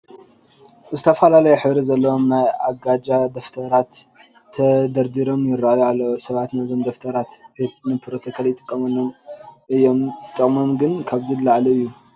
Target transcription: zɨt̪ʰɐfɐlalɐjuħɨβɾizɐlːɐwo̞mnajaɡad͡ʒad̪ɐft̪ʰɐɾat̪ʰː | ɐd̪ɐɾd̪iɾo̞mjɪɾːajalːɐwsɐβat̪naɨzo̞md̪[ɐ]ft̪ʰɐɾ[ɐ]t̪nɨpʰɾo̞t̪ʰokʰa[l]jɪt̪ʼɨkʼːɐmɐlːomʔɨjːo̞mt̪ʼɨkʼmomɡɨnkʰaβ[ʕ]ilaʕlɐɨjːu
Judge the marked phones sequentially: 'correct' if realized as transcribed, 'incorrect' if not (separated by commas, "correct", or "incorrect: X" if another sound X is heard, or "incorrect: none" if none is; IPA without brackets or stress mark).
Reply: correct, incorrect: a, correct, incorrect: z